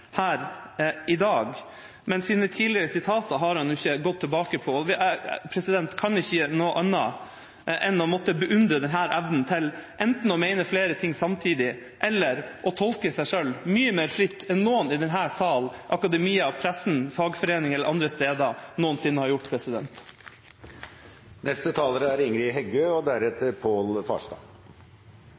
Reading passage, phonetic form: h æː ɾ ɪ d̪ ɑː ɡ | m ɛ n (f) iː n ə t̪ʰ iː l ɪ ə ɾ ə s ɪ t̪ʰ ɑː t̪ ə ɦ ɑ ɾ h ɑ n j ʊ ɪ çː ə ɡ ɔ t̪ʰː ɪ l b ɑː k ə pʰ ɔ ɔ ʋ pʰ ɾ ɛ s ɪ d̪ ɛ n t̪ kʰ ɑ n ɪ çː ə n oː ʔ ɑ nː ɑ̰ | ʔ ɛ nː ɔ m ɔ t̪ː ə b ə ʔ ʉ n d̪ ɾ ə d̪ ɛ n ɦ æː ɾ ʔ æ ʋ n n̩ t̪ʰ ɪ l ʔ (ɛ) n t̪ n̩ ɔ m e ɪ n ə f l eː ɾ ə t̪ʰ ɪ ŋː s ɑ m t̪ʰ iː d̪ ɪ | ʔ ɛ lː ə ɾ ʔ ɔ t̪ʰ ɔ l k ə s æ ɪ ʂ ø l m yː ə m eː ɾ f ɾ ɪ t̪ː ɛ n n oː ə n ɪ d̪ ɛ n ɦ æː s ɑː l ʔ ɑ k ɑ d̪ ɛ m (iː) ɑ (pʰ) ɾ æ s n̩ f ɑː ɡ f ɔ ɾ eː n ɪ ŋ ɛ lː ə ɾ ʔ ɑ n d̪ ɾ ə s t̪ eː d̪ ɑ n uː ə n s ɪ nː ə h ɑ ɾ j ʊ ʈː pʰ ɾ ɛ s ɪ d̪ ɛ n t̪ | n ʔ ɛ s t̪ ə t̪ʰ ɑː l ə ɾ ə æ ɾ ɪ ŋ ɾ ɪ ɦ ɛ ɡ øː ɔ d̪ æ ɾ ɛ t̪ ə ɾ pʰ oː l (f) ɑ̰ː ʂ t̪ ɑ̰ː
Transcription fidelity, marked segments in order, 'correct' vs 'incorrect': incorrect: s, correct, correct, correct, correct

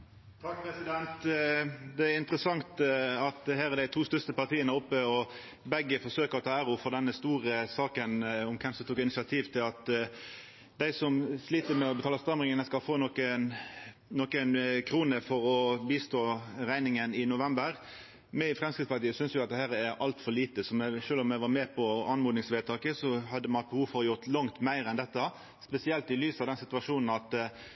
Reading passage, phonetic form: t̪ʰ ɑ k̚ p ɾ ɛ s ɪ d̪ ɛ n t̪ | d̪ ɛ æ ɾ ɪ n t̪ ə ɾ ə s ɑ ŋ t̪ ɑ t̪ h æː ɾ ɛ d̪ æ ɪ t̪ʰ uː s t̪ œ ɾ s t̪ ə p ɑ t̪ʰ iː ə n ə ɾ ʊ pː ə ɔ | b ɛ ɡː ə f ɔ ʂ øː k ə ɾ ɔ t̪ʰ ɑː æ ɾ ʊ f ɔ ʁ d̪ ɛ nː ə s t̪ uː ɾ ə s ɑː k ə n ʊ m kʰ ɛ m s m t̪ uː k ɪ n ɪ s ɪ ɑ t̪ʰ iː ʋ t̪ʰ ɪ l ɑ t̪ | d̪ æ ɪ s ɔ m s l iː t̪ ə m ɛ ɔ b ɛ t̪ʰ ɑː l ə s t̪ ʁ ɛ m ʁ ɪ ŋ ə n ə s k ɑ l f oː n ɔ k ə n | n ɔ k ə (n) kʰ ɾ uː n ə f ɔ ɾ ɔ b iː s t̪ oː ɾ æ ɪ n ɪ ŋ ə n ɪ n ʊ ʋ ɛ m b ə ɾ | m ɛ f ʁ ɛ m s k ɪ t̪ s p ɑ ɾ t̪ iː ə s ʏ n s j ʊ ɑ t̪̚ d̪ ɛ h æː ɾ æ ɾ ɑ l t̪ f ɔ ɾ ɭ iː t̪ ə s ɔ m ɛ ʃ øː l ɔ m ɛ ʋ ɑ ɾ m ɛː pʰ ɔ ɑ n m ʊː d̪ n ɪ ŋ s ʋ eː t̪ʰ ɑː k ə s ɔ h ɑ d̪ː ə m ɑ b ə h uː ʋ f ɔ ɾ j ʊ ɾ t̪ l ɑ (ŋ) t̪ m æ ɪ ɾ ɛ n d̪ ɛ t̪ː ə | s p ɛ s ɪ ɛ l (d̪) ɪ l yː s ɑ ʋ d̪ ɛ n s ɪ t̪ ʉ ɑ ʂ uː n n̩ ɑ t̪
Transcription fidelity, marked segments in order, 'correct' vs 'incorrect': correct, correct, incorrect: t̪

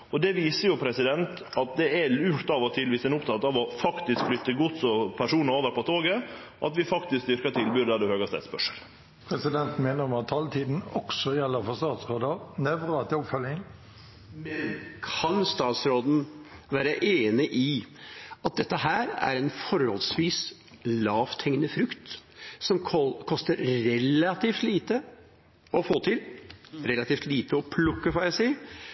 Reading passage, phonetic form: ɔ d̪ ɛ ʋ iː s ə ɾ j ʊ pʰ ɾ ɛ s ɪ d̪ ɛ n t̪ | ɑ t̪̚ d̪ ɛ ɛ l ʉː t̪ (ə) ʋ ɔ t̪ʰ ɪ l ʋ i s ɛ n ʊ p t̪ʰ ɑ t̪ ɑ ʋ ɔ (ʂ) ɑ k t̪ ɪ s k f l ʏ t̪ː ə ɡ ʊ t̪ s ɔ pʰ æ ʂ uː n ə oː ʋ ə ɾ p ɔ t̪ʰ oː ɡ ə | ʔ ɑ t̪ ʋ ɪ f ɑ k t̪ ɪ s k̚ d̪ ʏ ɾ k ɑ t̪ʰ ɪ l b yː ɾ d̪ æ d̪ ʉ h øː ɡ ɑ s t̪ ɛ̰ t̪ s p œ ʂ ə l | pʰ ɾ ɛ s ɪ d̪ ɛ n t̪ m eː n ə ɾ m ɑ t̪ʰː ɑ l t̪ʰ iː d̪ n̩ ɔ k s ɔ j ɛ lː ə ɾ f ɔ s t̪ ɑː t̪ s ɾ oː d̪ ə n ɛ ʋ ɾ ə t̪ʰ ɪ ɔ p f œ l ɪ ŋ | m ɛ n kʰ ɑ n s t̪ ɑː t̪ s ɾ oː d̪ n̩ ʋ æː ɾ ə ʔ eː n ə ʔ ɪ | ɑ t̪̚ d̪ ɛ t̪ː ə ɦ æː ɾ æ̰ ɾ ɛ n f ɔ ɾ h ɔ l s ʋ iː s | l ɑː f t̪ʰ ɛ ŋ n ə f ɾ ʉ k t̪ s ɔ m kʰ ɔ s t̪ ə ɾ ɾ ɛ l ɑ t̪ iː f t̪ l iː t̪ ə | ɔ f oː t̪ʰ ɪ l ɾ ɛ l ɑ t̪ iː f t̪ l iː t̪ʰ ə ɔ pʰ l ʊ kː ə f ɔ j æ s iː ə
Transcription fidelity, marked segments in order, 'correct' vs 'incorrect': incorrect: ɑ, incorrect: f

